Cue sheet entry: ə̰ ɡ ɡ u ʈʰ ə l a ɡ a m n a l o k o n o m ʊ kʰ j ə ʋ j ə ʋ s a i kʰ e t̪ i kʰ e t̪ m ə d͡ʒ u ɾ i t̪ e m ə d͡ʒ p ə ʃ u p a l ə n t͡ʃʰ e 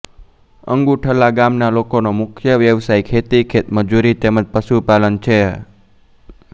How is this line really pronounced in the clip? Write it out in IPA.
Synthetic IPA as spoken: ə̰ ŋ ɡ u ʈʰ ə l a ɡ a m n a l o k o n o m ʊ kʰ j ə ʋ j ə ʋ s a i kʰ e t̪ i kʰ e t̪ m ə d͡ʒ u ɾ i t̪ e m ə d͡ʒ p ə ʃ u p a l ə n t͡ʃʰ e